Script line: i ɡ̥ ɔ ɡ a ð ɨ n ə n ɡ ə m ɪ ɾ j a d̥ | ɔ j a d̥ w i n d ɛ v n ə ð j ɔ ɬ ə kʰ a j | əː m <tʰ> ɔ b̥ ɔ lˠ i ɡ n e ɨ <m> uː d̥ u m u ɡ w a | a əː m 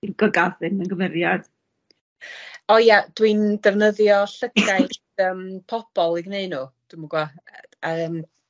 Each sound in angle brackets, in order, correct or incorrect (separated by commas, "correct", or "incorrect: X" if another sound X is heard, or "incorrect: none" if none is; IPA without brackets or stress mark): incorrect: pʰ, incorrect: n